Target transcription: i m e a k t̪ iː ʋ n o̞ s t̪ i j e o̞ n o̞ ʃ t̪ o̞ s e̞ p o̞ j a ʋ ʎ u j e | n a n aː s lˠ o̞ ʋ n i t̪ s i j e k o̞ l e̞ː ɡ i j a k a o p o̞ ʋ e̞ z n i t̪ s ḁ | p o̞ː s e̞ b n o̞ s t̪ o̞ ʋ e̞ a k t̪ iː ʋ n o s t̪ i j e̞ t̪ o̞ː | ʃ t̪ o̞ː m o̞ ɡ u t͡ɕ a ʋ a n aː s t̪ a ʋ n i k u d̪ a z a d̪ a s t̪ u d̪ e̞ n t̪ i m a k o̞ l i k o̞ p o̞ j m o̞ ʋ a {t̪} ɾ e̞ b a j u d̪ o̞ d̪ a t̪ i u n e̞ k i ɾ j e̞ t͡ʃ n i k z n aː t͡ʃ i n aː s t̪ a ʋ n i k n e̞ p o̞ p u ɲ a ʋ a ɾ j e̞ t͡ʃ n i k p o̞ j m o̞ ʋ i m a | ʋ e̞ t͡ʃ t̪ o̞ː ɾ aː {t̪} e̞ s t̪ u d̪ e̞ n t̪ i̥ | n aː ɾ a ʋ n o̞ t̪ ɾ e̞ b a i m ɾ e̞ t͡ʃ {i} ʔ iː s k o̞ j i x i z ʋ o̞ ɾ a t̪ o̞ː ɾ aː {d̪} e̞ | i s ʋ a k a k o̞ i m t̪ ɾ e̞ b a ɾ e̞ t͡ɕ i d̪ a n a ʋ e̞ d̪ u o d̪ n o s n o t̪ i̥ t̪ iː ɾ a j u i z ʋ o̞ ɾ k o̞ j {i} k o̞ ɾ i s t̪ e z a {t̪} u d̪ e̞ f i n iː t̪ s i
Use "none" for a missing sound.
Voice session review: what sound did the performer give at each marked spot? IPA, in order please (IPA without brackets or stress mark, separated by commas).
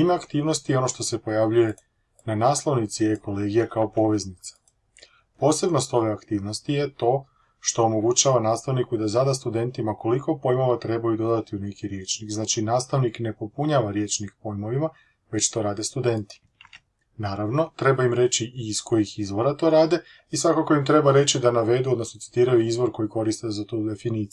t̪, d̪, i, d̪, i, t̪